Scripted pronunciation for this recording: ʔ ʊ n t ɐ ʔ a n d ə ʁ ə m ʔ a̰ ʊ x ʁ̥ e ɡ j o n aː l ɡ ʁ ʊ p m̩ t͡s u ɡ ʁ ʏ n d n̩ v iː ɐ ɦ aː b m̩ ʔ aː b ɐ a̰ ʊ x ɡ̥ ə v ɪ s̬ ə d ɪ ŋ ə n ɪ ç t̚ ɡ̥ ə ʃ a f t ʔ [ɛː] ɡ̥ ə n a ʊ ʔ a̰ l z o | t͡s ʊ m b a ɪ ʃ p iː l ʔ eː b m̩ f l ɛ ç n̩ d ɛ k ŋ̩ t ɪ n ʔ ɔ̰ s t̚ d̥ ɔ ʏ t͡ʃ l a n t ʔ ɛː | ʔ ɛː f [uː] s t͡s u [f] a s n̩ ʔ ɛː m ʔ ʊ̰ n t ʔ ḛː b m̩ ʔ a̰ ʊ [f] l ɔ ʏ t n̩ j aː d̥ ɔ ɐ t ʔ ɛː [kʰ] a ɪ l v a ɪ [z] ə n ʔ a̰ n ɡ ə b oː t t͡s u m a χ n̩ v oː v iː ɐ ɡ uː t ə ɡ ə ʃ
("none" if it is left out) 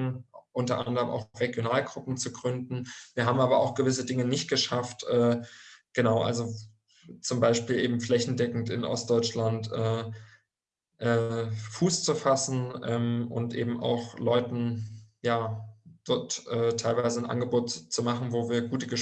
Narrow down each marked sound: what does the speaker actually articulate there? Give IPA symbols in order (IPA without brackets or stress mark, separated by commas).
ɛː, uː, f, x, tʰ, z